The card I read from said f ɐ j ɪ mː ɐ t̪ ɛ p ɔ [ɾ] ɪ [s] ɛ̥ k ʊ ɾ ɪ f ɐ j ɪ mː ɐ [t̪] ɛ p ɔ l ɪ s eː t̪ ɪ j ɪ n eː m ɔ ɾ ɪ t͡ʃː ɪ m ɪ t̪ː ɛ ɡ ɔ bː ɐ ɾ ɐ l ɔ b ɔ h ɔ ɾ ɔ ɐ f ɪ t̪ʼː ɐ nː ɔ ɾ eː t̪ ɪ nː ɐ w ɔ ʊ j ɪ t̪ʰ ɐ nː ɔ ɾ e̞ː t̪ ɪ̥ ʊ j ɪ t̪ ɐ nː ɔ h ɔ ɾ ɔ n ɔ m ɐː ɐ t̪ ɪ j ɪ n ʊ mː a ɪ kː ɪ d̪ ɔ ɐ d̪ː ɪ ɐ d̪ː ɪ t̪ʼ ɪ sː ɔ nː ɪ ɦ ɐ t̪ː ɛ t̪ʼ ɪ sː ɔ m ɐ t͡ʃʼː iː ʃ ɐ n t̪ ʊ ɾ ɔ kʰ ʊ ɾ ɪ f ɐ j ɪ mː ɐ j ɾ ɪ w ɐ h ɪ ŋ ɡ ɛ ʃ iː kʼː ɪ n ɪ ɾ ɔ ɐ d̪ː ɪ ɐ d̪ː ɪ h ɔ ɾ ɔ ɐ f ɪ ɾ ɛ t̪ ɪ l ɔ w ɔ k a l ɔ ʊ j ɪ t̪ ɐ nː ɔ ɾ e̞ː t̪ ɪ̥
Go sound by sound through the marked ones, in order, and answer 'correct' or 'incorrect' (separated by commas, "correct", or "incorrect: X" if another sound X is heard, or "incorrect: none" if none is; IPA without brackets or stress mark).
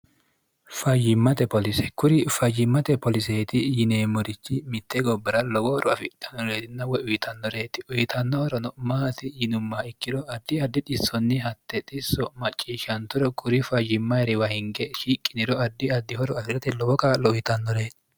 incorrect: l, correct, correct